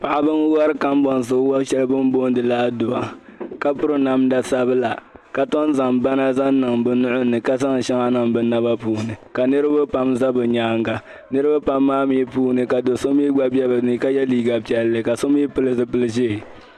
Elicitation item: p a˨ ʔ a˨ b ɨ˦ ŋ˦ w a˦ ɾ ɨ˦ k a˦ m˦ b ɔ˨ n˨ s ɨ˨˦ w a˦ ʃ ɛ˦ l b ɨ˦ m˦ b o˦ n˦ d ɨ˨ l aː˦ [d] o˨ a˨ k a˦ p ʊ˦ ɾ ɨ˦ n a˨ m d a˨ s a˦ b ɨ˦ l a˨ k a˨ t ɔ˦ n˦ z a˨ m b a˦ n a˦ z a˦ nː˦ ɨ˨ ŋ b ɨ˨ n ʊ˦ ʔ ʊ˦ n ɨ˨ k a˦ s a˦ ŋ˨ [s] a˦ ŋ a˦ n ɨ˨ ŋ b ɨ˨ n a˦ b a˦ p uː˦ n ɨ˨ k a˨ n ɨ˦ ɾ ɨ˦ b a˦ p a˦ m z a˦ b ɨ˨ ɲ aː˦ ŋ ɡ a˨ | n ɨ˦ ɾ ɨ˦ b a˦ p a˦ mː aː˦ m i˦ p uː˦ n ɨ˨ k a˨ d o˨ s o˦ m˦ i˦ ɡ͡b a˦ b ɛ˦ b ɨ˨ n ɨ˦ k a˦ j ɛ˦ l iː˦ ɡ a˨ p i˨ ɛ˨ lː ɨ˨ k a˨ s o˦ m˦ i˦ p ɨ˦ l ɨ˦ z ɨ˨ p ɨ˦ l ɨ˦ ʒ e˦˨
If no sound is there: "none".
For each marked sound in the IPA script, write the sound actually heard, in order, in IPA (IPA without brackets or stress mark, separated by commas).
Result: d, ʃ